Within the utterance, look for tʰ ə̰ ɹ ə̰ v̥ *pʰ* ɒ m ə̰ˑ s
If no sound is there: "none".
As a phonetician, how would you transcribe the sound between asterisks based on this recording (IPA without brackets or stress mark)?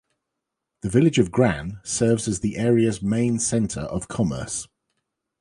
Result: kʰ